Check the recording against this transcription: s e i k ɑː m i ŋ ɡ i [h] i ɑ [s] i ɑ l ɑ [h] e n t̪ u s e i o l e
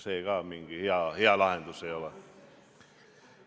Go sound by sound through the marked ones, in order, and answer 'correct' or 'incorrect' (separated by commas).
correct, incorrect, correct